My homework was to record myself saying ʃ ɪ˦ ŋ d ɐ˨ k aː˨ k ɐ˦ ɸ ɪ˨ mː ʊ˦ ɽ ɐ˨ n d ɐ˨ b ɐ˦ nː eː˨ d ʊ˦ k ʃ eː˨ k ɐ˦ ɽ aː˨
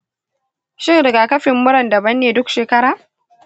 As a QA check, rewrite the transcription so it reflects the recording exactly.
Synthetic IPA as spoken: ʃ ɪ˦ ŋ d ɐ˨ ɡ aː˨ k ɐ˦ ɸ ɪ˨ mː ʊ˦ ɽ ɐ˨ n d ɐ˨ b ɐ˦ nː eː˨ d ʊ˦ k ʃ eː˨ k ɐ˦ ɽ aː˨